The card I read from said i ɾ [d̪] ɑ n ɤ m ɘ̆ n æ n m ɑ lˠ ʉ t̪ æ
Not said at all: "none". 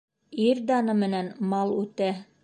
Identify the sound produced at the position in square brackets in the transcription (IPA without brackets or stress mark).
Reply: d̪